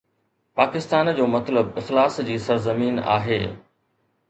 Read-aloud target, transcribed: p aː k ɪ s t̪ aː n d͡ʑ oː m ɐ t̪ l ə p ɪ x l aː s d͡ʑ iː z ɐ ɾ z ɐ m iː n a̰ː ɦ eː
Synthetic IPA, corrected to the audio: p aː k ɪ s t̪ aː n d͡ʑ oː m ɐ t̪ l ə b ɪ x l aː s d͡ʑ iː s ɐ ɾ z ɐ m iː n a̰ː ɦ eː